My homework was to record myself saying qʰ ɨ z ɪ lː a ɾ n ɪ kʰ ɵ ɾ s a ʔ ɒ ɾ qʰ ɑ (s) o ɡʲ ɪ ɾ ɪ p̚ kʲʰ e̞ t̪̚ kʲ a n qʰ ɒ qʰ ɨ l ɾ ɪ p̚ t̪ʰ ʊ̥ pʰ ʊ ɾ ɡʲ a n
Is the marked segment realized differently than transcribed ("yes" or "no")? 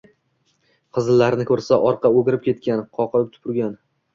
yes